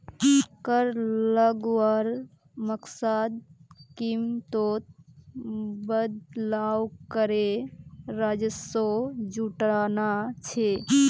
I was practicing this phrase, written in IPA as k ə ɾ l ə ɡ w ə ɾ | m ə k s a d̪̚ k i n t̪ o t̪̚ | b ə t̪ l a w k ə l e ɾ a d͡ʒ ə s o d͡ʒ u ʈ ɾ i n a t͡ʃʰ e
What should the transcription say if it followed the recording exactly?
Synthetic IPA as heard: k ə ɾ l ə ɡ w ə ɾ | m ə k s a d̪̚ k i m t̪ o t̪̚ | b ə d̪ l a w k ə ɾ e ɾ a d͡ʒ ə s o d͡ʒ u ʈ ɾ a n a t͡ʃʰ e